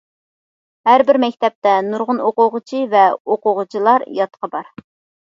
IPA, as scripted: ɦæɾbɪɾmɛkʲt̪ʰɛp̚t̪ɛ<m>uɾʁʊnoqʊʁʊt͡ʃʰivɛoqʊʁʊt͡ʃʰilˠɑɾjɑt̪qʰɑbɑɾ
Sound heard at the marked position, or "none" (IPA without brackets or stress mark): n